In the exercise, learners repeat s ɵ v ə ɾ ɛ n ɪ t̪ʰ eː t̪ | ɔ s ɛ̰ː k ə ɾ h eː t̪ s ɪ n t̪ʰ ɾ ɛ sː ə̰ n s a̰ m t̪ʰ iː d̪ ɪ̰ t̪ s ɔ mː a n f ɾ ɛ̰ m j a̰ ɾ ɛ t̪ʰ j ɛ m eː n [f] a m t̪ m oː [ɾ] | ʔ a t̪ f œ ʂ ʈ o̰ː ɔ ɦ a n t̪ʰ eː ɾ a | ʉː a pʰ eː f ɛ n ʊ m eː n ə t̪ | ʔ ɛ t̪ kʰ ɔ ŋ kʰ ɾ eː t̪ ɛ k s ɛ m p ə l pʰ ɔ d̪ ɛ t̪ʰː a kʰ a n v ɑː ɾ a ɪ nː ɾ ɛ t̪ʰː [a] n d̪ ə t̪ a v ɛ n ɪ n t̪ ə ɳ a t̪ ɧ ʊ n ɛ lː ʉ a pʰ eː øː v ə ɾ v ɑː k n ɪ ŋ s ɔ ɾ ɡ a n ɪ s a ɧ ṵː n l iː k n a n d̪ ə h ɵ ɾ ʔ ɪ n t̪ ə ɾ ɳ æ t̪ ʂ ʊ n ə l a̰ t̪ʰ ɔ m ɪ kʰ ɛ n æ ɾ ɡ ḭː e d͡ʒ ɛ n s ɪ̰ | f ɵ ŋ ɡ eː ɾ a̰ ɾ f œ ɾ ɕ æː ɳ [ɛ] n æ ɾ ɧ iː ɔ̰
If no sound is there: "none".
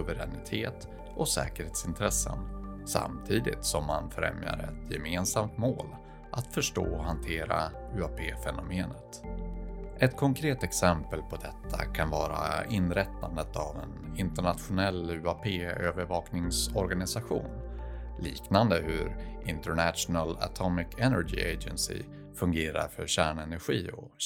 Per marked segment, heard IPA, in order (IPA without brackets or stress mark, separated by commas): s, l, a, ɛ